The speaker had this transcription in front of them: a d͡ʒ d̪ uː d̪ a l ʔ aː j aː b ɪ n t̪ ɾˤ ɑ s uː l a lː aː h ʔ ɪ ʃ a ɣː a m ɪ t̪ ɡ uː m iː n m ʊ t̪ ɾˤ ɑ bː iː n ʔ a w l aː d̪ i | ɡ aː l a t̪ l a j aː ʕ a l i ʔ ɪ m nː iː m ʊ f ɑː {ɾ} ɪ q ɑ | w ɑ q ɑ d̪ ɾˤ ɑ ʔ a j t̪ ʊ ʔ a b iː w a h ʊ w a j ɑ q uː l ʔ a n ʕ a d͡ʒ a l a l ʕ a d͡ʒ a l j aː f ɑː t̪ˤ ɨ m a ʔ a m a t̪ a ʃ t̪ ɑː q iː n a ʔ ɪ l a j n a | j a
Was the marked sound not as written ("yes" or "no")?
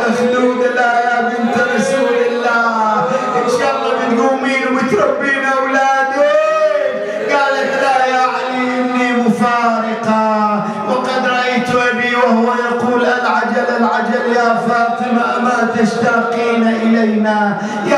no